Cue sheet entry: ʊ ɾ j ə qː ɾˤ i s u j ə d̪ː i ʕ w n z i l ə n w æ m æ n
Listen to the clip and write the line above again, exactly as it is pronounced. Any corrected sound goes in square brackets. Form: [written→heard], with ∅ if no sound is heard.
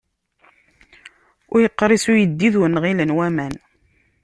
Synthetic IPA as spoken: ʊ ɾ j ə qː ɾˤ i s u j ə d̪ː i [ʕ→ð] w n [z→ʁ] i l ə n w æ m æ n